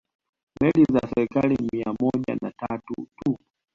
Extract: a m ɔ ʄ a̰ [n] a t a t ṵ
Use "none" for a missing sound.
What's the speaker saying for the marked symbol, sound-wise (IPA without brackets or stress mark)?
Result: n